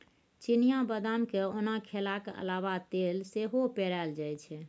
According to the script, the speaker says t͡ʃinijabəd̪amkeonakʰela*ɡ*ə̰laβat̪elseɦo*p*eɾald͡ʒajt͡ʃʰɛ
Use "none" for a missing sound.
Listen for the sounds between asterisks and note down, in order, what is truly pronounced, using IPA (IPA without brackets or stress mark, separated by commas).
k, p